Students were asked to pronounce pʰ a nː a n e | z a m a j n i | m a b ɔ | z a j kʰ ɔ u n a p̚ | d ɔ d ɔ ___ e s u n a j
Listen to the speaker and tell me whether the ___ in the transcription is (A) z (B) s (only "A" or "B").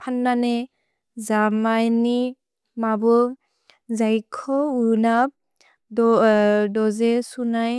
A